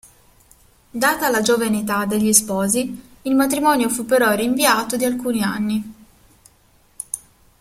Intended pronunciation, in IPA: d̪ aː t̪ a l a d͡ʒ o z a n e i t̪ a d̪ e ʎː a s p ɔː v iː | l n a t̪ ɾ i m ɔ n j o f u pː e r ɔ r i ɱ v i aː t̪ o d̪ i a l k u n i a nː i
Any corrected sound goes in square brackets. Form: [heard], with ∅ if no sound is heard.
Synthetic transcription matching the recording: d̪ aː t̪ a l a d͡ʒ o [v] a n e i t̪ a d̪ e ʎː [i] s p ɔː [z] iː | l [m] a t̪ ɾ i m ɔ n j o f u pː e [ɾ] ɔ r i ɱ v i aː t̪ o d̪ i a l k [uː] n i a nː i